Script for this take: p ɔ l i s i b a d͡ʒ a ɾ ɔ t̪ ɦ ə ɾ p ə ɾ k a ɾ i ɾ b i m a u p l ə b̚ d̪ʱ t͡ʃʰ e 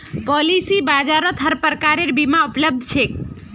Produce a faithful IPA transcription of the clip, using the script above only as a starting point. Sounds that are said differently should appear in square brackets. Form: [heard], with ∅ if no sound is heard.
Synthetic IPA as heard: p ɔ l i s i b a d͡ʒ a ɾ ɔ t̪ ɦ ə ɾ p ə ɾ k a ɾ [e] ɾ b i m a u p l ə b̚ d̪ʱ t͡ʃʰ e